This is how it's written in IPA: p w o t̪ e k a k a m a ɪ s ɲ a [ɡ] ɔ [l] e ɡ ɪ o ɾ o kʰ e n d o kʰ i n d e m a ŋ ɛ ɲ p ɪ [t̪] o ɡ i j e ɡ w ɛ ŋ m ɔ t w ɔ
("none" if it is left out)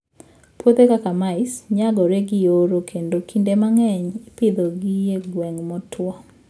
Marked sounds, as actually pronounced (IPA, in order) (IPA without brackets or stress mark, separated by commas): ɡ, ɾ, d̪